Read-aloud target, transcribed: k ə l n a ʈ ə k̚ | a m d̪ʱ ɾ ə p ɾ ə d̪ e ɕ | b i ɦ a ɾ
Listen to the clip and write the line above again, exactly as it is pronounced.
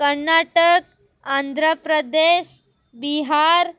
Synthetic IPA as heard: k ə ɾ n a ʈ ə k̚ | a n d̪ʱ ɾ ə p ɾ ə d̪ e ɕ | b i ɦ a ɾ

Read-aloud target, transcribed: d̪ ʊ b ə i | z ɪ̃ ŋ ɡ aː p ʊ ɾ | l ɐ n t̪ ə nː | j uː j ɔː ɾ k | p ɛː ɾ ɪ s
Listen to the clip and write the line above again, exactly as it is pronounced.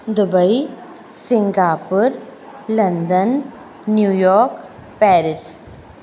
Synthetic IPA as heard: d̪ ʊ b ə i | s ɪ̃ ŋ ɡ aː p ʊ ɾ | l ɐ n d̪ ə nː | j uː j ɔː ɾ k | p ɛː ɾ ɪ s

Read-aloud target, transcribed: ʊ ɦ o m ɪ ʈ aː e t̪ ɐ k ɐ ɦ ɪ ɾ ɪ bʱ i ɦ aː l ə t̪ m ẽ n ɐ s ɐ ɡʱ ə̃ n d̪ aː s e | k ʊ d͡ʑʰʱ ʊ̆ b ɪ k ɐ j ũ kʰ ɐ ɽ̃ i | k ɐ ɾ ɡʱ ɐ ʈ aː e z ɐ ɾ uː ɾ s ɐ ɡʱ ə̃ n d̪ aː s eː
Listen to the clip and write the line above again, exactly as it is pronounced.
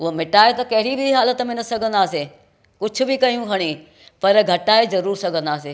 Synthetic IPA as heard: ʊ ɦ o m ɪ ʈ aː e t̪ ɐ k ɐ ɦ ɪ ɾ i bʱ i ɦ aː l ə t̪ m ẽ n ɐ s ɐ ɡʱ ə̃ n d̪ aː s e | k ʊ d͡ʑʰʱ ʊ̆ b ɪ k ɐ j ũ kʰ ɐ ɽ̃ i | p ɐ ɾ ɡʱ ɐ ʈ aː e z ɐ ɾ uː ɾ s ɐ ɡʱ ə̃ n d̪ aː s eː

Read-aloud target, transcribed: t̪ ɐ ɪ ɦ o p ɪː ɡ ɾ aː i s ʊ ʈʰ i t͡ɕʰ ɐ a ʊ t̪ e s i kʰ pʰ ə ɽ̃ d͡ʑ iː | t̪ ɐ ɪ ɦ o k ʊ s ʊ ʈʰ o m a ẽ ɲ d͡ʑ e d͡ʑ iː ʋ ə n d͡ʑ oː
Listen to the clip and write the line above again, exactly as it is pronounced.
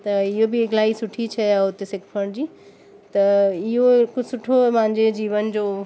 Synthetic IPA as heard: t̪ ɐ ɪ ɦ o b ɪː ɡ l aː i s ʊ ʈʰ i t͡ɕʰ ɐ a ʊ t̪ e s ɪ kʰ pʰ ə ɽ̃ d͡ʑ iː | t̪ ɐ ɪ ɦ o k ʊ s ʊ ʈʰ o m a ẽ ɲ d͡ʑ e d͡ʑ iː ʋ ə n d͡ʑ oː

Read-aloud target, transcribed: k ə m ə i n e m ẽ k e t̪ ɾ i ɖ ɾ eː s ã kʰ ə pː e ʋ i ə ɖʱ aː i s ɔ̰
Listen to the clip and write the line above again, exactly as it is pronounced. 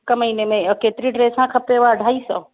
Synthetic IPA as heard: k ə m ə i n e m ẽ k e t̪ ɾ i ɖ ɾ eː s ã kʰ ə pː e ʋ a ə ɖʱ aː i s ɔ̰

